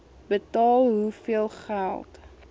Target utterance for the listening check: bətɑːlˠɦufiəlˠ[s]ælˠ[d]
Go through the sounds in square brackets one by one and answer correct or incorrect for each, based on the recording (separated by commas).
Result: incorrect, incorrect